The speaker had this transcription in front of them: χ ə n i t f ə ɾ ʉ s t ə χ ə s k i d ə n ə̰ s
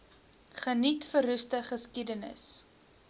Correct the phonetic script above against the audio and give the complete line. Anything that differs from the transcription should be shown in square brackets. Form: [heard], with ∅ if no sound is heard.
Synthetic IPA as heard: χ ə n i t f ə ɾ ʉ s t ə χ ə s k i d ə n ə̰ s